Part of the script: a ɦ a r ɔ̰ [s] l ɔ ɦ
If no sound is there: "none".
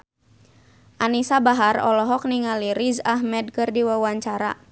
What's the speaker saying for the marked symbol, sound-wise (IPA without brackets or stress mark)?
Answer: none